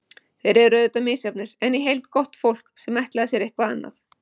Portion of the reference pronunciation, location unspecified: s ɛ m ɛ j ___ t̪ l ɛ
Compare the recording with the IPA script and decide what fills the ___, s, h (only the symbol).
h